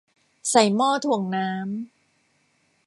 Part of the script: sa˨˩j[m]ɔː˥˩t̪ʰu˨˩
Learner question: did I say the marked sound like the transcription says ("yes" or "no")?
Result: yes